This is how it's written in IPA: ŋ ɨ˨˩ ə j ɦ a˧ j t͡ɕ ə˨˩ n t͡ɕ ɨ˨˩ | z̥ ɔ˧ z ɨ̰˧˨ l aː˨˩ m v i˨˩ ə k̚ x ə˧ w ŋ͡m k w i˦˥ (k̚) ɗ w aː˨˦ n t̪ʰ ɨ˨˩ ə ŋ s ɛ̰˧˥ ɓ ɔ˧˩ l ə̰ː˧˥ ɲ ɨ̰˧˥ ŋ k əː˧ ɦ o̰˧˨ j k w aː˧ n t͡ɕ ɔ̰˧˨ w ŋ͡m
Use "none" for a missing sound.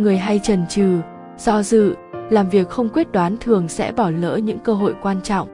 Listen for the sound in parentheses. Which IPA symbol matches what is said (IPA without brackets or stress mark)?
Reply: t̚